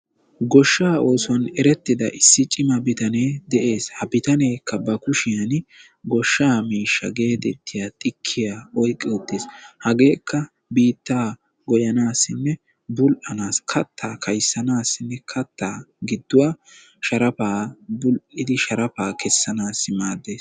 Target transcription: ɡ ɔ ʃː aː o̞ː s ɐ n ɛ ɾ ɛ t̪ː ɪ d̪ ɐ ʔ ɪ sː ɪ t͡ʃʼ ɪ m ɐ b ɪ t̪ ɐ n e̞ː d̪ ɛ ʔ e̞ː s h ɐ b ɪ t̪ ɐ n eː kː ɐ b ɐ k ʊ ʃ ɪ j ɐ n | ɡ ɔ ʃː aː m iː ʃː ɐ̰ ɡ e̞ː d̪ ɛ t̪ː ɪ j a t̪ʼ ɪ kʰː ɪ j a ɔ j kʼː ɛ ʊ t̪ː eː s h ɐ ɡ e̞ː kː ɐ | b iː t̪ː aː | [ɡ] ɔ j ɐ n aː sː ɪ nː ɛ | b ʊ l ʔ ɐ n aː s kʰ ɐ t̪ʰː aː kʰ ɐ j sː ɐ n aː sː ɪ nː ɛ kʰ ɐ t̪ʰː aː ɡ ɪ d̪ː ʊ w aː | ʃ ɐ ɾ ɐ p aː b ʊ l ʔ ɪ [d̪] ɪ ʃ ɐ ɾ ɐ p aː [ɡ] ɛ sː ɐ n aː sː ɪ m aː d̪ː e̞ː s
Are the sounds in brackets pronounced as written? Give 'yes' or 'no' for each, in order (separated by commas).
yes, yes, no